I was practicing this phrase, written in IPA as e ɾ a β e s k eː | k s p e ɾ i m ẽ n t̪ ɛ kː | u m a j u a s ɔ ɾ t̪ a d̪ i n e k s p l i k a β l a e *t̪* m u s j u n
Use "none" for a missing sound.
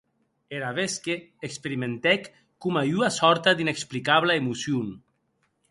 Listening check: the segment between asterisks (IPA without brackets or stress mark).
none